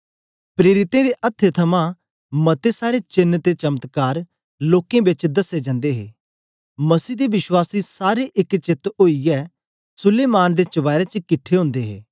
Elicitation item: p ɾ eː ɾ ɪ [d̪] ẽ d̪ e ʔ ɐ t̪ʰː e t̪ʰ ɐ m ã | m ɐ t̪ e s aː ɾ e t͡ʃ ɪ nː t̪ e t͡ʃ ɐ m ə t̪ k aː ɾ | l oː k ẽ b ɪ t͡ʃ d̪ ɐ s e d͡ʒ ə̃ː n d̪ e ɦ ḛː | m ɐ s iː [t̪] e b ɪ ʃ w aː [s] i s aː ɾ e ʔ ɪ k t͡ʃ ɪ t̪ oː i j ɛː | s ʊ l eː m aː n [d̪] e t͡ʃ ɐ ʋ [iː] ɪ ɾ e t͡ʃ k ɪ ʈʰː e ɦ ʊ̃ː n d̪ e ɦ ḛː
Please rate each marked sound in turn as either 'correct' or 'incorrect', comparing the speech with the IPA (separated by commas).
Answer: incorrect, incorrect, correct, correct, incorrect